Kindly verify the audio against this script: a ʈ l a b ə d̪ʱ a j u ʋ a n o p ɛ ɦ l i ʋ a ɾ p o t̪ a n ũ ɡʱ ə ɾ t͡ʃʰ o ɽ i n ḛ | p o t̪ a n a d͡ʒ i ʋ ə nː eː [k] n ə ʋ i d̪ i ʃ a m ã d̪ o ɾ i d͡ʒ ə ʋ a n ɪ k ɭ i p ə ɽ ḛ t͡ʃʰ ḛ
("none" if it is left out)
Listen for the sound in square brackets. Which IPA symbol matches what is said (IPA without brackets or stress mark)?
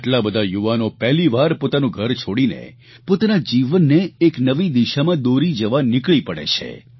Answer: k